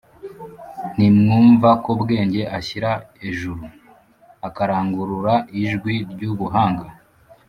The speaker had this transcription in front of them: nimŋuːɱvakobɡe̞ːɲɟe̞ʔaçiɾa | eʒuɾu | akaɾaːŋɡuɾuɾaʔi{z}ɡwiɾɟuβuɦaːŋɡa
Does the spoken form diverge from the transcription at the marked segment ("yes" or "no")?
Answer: yes